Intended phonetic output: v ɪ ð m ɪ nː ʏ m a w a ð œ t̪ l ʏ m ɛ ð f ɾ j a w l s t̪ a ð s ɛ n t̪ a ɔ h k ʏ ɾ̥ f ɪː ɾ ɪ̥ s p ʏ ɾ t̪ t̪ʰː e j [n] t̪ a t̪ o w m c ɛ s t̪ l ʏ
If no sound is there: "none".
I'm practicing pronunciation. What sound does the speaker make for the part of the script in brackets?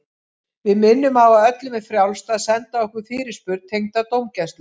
ŋ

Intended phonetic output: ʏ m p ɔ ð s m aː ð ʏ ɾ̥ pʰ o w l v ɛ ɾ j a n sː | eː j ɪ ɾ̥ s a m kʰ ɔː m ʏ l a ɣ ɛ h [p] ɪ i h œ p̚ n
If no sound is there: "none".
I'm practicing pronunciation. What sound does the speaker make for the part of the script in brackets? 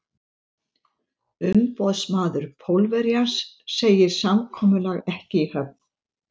c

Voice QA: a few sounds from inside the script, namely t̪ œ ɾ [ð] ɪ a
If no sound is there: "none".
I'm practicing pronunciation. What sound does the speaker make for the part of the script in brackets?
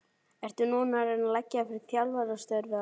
v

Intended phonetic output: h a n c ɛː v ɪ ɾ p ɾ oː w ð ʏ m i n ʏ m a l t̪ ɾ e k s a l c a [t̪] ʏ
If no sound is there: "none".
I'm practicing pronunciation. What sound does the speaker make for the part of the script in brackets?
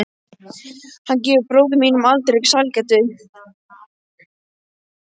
t̪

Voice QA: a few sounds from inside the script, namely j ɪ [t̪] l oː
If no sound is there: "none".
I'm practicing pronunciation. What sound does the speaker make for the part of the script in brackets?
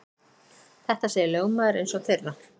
none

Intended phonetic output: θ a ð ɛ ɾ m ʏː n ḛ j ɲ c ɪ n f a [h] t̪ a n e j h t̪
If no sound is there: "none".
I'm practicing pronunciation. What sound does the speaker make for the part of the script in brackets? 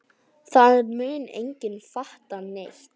h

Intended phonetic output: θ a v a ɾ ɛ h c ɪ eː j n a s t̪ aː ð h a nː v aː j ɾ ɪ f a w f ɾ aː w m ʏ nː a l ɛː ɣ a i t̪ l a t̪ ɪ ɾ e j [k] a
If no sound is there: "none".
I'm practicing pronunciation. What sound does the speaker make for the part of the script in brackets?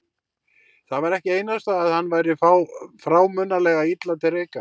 k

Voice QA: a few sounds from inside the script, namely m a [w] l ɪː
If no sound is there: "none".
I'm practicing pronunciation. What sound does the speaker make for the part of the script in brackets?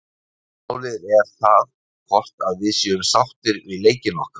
w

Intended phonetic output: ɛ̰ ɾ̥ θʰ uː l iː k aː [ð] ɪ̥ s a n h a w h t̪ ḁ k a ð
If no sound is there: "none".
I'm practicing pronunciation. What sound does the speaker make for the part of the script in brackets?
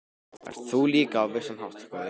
v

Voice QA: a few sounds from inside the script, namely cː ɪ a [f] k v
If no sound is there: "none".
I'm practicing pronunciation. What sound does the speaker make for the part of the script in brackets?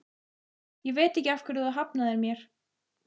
f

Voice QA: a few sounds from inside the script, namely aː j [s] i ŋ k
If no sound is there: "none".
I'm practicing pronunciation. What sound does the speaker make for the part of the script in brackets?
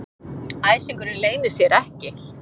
s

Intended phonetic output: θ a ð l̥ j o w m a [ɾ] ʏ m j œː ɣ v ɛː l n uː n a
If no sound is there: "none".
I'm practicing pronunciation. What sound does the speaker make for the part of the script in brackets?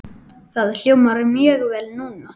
ɾ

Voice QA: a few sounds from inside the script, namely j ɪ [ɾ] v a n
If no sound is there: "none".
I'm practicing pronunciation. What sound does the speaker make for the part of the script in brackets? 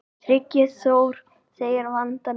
ɾ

